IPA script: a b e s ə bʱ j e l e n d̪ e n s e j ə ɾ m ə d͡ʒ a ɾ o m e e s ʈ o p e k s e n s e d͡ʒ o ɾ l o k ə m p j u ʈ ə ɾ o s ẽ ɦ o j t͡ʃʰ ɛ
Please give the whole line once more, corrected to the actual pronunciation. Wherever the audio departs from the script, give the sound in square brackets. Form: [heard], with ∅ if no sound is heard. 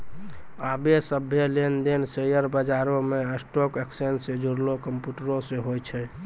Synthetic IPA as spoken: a b e s ə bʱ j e l e n d̪ e n s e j ə ɾ [b] ə d͡ʒ a ɾ o m e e s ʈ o [k] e k s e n s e d͡ʒ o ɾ l o k ə m p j u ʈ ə ɾ o s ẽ ɦ o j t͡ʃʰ ɛ